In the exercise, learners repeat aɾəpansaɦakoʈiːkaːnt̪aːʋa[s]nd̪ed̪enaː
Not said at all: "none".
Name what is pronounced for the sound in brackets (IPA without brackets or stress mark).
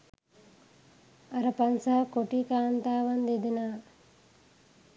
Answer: none